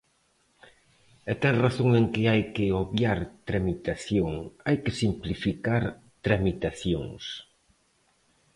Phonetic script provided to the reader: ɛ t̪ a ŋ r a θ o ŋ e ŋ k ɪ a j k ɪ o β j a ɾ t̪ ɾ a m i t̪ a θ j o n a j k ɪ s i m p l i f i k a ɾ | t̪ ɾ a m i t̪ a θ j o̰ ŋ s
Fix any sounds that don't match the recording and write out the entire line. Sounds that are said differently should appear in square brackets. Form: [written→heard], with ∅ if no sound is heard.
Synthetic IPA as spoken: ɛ t̪ [a→ɛ] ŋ r a θ o ŋ e ŋ k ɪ a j k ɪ o β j a ɾ t̪ ɾ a m i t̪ a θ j o [n→ŋ] a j k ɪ s i m p l i f i k a ɾ | t̪ ɾ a m i t̪ a θ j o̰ ŋ s